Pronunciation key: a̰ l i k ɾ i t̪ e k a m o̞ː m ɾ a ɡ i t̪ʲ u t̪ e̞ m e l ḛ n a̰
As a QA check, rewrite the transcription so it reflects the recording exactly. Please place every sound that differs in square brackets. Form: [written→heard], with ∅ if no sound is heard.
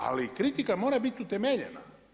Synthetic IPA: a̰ l i k ɾ i t̪ [e→i] k a m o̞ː [m→∅] ɾ a [ɡ→b] i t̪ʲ u t̪ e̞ m e [l→ʎ] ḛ n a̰